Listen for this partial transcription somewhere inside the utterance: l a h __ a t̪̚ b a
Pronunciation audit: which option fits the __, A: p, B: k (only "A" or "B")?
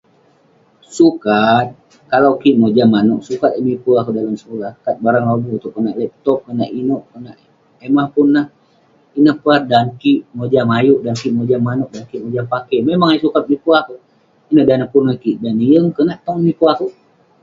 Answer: B